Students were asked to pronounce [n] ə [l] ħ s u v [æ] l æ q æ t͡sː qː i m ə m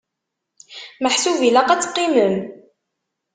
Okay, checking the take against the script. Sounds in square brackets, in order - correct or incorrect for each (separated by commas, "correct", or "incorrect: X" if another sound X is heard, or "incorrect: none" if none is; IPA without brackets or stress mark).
incorrect: m, incorrect: none, incorrect: i